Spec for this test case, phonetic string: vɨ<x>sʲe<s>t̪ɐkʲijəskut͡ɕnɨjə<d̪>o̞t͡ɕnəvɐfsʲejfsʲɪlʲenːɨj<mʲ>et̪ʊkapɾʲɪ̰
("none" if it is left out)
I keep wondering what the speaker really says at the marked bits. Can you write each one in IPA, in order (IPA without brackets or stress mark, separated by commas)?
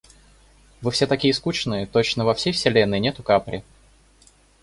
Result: f, none, t̪, nʲ